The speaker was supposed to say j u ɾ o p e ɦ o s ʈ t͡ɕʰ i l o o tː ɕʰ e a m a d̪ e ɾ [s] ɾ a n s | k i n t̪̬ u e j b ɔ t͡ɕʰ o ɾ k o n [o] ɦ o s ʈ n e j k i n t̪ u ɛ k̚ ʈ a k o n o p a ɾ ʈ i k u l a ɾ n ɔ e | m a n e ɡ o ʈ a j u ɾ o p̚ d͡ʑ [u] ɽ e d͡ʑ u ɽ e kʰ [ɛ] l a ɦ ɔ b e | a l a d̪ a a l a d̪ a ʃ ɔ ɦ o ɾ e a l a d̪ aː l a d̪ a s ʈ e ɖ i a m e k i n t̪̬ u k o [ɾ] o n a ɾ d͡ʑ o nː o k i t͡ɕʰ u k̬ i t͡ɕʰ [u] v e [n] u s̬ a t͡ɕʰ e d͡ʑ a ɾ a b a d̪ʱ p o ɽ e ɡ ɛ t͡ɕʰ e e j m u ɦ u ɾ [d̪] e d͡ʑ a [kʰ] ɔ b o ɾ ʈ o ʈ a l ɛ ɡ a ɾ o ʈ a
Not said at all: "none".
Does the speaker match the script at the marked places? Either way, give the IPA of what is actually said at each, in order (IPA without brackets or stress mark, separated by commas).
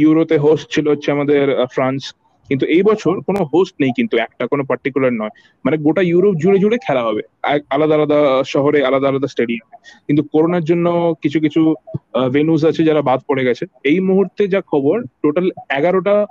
f, o, u, ɛ, ɾ, u, n, t̪, kʰ